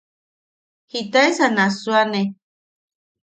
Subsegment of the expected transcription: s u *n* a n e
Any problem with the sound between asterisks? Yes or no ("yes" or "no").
yes